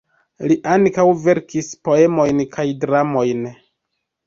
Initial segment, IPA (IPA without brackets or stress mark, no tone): l